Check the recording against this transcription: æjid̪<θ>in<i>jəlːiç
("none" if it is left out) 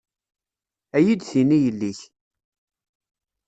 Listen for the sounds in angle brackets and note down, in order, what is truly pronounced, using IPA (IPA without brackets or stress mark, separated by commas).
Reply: θ, i